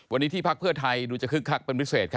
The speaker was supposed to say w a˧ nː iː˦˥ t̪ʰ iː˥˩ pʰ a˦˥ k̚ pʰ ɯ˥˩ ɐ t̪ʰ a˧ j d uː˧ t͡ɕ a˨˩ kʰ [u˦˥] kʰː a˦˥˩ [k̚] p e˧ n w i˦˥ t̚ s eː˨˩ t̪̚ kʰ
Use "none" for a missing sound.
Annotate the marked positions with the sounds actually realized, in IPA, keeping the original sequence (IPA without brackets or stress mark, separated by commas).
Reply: ɯ˦˥, k̚